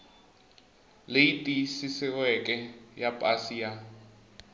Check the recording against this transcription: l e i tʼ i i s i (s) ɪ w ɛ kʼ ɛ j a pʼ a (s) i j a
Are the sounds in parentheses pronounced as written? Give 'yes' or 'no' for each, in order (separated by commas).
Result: yes, yes